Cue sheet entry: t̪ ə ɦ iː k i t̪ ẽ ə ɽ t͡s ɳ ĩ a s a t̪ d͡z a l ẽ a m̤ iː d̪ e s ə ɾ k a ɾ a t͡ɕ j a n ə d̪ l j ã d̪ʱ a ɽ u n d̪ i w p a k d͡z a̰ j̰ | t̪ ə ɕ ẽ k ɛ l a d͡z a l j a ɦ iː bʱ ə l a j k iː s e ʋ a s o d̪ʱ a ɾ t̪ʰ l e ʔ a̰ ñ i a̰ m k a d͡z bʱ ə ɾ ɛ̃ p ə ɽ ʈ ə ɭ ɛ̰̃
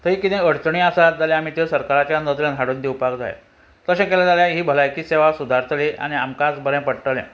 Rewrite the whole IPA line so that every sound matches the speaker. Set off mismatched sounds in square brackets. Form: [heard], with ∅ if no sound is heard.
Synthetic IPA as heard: t̪ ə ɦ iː k i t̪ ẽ ə ɽ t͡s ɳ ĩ a s a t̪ d͡z a l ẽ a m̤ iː [t̪] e s ə ɾ k a ɾ a t͡ɕ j a n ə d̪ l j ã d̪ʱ a ɽ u n d̪ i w p a k d͡z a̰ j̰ | t̪ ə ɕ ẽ k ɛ l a d͡z a l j a ɦ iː bʱ ə l a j k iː s e ʋ a s [u] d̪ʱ a ɾ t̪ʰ l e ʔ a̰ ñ i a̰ m k a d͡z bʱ ə ɾ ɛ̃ p ə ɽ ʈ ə [l] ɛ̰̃

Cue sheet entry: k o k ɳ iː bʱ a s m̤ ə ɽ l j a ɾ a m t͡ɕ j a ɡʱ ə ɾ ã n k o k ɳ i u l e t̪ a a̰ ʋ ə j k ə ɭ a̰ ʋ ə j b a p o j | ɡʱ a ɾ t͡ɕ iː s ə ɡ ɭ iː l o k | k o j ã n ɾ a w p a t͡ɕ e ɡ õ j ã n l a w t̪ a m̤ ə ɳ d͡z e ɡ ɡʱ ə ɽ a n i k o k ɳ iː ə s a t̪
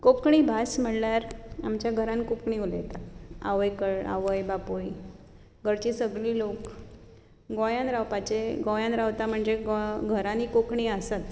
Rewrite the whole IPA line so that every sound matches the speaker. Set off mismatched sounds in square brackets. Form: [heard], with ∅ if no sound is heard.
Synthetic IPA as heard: k o k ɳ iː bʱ a s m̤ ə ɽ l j a ɾ a m t͡ɕ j a ɡʱ ə ɾ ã n k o k ɳ i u l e t̪ a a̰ ʋ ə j k ə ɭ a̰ ʋ ə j b a p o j | ɡʱ [ə] ɾ t͡ɕ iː s ə ɡ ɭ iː l o k | [ɡ] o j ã n ɾ a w p a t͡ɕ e ɡ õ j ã n [ɾ] a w t̪ a m̤ ə ɳ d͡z e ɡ ɡʱ ə [ɾ] a n i k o k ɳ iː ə s a t̪

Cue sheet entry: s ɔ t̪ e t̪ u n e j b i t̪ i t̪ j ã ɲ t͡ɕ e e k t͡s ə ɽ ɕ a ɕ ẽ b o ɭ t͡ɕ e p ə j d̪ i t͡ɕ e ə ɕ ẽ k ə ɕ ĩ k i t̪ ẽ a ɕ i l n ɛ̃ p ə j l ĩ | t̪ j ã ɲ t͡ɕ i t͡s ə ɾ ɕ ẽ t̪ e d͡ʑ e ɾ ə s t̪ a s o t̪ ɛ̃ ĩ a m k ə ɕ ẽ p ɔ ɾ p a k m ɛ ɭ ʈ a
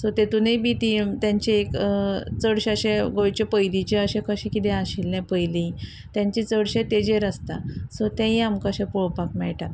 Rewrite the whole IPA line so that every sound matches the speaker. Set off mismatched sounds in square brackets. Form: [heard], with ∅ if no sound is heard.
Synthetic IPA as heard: s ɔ t̪ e t̪ u n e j b i t̪ i t̪ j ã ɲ t͡ɕ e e k t͡s ə ɽ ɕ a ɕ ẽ [ɡ] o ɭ t͡ɕ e p ə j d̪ i t͡ɕ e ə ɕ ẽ k ə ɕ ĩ k i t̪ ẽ a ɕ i l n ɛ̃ p ə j l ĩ | t̪ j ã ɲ t͡ɕ i t͡s ə [ɽ] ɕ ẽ t̪ e d͡ʑ e ɾ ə s t̪ a s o t̪ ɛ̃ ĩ a m k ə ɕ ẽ p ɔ [ɭ] p a k m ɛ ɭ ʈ a

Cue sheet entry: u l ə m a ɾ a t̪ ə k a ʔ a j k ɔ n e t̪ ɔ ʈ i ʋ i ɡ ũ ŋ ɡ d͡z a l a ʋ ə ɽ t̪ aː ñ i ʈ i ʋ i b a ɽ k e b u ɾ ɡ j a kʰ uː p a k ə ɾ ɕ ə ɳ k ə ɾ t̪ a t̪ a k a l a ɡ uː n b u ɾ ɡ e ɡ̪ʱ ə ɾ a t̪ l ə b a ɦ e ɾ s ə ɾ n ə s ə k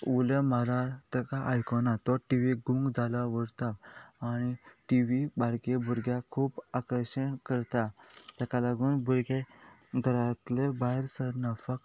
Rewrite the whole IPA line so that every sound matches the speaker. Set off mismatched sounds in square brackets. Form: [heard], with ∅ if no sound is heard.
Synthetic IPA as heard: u l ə m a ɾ a t̪ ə k a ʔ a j k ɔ n [a] t̪ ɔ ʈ i ʋ i ɡ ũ ŋ ɡ d͡z a l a ʋ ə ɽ t̪ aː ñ i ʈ i ʋ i b a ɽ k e b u ɾ ɡ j a kʰ uː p a k ə ɾ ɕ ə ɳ k ə ɾ t̪ a t̪ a k a l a ɡ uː n b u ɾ ɡ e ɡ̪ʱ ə ɾ a t̪ l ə b a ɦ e ɾ s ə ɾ n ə [f] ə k

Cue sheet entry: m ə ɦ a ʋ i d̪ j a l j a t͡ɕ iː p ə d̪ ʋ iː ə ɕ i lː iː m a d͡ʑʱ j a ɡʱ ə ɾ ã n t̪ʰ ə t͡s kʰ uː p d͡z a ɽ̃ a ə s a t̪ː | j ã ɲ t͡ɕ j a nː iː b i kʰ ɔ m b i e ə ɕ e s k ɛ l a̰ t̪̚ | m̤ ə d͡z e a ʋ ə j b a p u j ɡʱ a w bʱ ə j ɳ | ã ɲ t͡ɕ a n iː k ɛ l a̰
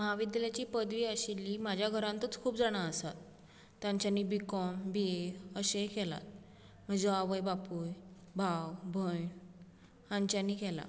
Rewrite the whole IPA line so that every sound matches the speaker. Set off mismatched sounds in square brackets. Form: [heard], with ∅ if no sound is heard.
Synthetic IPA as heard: m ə ɦ a ʋ i d̪ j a l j a t͡ɕ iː p ə d̪ ʋ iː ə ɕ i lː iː m a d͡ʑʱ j a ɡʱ ə ɾ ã n [t̪] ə t͡s kʰ uː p d͡z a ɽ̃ a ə s a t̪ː | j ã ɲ t͡ɕ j a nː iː b i [k] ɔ m b i e ə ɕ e [∅] k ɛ l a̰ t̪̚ | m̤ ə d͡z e a ʋ ə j b a p u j [bʱ] a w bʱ ə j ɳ | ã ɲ t͡ɕ a n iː k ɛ l a̰

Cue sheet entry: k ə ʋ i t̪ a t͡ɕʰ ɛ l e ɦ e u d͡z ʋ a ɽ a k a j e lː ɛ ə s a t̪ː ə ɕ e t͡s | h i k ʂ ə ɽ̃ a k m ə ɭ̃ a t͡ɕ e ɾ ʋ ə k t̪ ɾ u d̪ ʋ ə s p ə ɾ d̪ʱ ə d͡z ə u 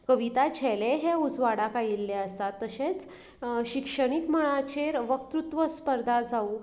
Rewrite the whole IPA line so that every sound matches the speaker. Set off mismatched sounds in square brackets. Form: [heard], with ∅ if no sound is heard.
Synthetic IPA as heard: k ə ʋ i t̪ a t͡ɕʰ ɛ l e ɦ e u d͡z ʋ a ɽ a k a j [i] lː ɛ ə s a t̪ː ə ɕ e t͡s | [ɕ] i k ʂ ə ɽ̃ [i] k m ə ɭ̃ a t͡ɕ e ɾ ʋ ə k t̪ ɾ u [t̪] ʋ ə s p ə ɾ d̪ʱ [a] d͡z [a] u

